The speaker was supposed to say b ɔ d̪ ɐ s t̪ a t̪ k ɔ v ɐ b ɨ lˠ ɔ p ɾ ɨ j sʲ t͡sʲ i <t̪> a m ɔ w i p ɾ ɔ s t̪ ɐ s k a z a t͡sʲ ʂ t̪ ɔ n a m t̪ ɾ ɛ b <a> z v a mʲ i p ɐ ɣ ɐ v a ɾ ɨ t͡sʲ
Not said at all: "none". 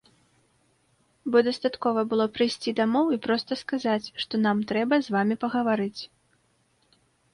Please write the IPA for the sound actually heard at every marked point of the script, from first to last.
d̪, ɐ

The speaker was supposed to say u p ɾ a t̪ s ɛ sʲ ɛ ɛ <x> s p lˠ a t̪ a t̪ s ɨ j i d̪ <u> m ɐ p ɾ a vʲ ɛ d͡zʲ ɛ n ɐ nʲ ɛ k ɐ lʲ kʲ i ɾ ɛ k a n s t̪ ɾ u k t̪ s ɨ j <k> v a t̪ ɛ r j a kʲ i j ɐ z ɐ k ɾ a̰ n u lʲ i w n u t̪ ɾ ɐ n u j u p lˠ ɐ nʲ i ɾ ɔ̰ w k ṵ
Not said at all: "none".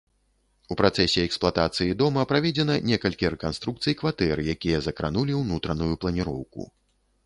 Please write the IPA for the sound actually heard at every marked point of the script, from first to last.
k, ɔ, k

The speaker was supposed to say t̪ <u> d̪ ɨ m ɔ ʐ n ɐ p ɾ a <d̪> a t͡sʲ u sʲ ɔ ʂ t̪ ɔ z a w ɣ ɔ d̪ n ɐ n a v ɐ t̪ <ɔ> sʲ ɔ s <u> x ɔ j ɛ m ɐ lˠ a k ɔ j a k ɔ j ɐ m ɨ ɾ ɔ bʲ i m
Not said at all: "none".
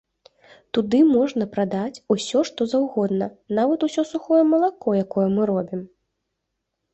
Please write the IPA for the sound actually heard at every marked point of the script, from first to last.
u, d̪, u, u

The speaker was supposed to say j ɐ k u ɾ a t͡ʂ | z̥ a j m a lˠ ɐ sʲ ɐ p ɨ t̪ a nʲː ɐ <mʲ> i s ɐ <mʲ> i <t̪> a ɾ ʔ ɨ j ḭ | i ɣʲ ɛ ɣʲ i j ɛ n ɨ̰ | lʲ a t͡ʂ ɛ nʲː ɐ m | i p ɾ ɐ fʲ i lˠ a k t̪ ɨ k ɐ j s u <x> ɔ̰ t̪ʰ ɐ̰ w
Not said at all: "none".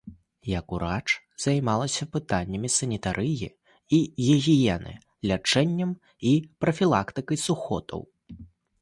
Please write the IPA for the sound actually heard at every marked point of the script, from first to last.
mʲ, nʲ, t̪, x

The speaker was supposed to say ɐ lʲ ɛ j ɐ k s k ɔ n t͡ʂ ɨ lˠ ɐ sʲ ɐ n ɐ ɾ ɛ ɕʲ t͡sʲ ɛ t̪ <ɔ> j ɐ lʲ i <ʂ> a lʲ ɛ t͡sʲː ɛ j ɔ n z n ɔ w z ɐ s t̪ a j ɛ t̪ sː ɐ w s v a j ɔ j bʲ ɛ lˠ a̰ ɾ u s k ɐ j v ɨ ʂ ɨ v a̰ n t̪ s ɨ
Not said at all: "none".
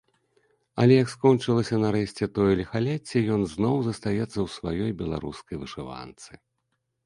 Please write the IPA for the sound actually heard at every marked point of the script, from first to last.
ɔ, x

